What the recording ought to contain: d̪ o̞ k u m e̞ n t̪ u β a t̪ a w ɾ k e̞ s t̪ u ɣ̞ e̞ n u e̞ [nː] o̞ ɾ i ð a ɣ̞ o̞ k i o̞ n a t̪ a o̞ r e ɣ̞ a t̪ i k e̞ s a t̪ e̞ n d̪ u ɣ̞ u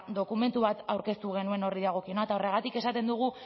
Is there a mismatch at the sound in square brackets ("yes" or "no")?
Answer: yes